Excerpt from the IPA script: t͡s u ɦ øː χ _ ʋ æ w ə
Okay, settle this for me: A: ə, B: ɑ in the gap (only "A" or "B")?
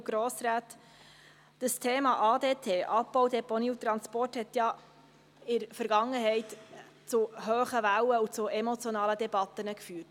A